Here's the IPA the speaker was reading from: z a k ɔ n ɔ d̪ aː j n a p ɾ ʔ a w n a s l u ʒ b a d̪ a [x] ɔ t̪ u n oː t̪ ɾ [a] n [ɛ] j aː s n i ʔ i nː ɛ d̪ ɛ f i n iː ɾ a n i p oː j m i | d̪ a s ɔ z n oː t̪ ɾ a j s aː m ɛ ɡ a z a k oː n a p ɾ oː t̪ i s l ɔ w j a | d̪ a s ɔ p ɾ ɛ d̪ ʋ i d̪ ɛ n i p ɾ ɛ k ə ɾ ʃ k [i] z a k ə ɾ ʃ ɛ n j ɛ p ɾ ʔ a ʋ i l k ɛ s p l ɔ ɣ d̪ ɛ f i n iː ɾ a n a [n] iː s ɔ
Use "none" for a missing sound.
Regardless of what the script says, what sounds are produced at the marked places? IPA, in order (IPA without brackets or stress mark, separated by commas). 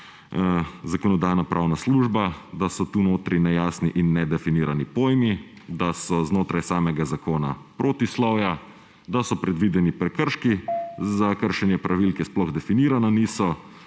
s, i, ɛ, i, n